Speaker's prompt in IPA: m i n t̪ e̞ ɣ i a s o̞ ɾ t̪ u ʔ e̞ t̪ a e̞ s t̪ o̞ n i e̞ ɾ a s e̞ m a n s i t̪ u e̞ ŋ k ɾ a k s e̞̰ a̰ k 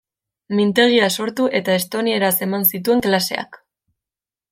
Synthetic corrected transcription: m i n t̪ e̞ ɣ i a s o̞ ɾ t̪ u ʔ e̞ t̪ a e̞ s t̪ o̞ n i e̞ ɾ a s e̞ m a n s i t̪ u e̞ ŋ k l a s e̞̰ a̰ k